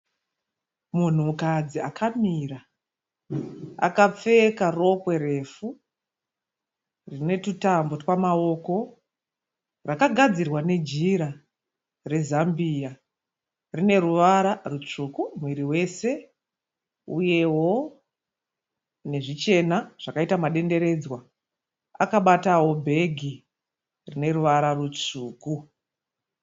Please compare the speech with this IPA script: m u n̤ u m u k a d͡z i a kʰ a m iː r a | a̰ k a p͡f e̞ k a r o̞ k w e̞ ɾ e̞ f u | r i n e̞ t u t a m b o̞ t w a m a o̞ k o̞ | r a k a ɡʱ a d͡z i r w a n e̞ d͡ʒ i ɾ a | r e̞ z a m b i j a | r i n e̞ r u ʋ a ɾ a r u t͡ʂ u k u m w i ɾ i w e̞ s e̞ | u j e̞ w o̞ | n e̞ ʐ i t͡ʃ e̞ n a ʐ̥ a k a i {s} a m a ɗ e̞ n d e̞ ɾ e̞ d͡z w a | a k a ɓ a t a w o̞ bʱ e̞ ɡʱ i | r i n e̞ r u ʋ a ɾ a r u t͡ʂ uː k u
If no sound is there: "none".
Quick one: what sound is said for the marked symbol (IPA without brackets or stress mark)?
t